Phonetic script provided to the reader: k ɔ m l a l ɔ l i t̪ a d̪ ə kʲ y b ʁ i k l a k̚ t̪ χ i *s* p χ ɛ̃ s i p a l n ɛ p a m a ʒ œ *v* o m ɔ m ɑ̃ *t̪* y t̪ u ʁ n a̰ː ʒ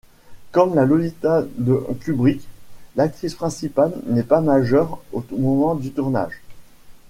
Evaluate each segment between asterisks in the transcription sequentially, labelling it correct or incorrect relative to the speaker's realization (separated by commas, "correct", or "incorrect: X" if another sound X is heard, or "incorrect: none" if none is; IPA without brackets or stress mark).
correct, incorrect: ʁ, incorrect: d̪